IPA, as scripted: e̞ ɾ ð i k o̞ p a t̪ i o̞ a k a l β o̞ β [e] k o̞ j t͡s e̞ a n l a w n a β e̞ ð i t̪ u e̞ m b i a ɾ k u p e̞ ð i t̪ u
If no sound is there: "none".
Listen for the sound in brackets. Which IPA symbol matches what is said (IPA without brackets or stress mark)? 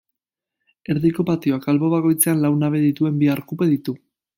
a